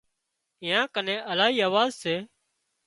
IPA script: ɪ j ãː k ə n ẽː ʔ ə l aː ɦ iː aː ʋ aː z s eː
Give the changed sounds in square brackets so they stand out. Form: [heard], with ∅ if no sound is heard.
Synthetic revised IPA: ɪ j ãː k ə n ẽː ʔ ə l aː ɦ iː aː ʋ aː z s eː